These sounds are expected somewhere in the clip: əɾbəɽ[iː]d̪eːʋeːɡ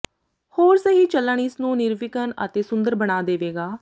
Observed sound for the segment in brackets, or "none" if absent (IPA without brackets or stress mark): aː